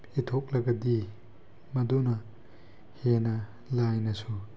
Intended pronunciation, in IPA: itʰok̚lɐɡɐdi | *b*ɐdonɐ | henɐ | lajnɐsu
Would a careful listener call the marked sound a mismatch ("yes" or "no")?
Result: yes